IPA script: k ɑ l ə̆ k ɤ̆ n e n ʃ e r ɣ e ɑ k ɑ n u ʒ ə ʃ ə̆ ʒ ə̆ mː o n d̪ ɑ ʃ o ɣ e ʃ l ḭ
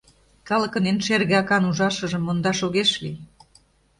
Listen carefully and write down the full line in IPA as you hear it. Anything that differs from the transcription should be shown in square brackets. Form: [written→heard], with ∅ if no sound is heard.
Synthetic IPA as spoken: k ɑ l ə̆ k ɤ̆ n e n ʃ e r ɣ e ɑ k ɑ n u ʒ [ə→ɑ] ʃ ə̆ ʒ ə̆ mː o n d̪ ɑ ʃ o ɣ e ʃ l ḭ